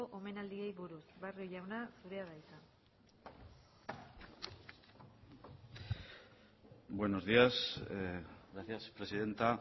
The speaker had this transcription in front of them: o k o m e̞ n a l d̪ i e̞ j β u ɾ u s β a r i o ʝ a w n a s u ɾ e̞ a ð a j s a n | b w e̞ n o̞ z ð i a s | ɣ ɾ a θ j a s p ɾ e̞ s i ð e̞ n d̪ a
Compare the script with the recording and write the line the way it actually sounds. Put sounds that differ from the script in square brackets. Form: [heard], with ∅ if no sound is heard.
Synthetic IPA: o [ʔ] o m e̞ n a l d̪ i e̞ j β u ɾ u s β a r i o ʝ a w n a s u ɾ e̞ a ð a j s a n | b w e̞ n o̞ z ð i a s | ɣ ɾ a θ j a s p ɾ e̞ s i ð e̞ n [t̪] a